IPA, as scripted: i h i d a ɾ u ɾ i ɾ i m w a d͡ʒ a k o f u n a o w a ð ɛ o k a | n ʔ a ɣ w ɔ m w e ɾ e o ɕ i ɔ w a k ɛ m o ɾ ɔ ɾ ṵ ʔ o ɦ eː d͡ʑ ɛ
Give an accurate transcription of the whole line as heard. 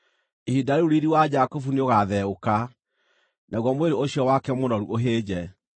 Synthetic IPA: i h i d a ɾ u ɾ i ɾ i w a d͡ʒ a k o f u n e o ɣ a ð ɛ o k a | n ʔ a ɣ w ɔ m w e ɾ e o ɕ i ɔ w a k ɛ m o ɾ ɔ ɾ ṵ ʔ o ɦ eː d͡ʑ ɛ